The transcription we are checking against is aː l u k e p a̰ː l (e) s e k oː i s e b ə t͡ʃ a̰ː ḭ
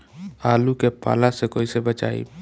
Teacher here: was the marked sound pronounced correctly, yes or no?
no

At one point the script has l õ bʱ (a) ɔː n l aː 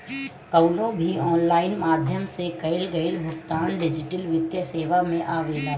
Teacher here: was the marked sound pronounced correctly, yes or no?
no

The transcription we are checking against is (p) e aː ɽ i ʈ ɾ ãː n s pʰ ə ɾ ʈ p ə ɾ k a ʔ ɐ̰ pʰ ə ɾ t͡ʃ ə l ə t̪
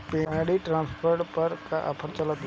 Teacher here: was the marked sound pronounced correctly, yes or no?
yes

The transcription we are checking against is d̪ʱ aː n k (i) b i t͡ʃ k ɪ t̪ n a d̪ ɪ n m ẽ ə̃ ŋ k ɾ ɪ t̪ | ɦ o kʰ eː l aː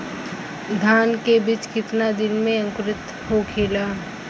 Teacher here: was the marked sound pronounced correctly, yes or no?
no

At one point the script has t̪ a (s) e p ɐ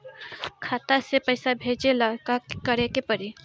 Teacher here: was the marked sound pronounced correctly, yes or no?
yes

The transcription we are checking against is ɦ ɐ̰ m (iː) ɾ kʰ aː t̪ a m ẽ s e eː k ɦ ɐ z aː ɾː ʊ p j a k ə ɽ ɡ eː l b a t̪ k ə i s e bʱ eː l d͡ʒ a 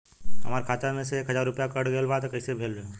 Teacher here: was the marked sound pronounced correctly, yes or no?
no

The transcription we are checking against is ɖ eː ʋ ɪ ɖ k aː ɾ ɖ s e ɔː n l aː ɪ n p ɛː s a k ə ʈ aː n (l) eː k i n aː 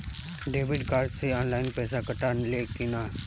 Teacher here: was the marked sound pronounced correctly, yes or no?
yes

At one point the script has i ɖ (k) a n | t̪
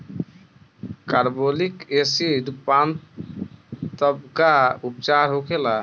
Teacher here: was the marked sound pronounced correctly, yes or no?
no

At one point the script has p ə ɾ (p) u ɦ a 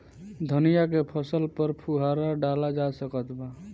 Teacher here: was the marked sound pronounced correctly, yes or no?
no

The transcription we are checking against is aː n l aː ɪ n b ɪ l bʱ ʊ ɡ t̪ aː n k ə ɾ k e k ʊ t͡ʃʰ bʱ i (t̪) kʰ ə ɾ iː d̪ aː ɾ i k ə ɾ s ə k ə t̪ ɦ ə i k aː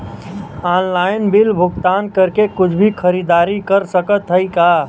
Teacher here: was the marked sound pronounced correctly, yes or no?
no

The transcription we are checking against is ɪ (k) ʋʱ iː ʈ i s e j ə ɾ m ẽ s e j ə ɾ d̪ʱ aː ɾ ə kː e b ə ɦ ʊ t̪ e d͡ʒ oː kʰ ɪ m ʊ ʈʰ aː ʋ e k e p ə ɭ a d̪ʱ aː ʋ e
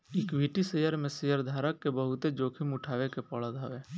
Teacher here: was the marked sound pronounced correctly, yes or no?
yes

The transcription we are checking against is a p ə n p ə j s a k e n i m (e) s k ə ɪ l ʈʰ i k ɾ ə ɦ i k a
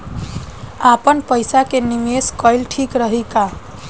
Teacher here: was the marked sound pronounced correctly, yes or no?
yes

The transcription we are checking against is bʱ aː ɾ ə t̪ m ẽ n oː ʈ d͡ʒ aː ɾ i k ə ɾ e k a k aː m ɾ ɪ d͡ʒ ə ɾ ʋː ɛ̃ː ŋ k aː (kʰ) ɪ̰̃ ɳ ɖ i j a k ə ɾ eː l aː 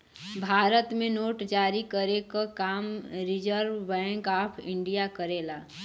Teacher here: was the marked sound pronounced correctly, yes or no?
no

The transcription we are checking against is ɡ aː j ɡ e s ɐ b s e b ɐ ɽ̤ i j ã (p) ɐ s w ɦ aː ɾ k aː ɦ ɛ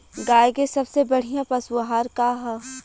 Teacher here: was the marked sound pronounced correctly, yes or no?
yes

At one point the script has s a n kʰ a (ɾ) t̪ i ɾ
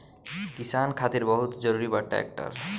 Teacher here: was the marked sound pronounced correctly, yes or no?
no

